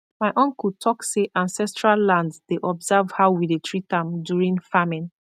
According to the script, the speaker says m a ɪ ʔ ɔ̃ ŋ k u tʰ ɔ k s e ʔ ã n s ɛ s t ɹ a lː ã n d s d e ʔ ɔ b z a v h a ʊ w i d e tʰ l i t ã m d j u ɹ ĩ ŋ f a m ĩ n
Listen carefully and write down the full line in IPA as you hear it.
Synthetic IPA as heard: m a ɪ ʔ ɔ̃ ŋ k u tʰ ɔ k s e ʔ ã n s ɛ s t ɹ a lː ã n d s d e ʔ ɔ b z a v h a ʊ w i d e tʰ ɹ i t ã m d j u ɹ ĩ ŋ f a m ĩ n